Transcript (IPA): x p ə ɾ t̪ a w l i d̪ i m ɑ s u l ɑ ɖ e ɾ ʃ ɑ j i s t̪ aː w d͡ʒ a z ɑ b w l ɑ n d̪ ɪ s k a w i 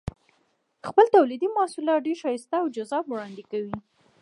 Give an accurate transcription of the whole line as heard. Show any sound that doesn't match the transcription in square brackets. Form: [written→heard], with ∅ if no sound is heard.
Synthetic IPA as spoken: x p ə [ɾ→l] t̪ a w l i d̪ i m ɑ s u l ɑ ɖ e ɾ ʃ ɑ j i s t̪ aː w d͡ʒ a z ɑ b w [l→ɽ] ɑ n d̪ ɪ [s→∅] k a w i